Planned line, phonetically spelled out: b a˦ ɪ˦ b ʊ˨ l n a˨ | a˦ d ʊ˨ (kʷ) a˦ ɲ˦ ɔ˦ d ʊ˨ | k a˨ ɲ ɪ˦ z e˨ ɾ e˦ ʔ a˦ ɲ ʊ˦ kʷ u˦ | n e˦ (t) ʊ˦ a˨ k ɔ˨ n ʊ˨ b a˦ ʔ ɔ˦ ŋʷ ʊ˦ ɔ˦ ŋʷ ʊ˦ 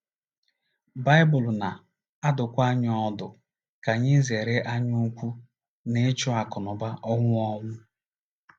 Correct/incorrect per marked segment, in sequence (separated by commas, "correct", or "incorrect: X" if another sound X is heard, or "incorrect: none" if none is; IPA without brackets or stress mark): correct, incorrect: t͡ʃ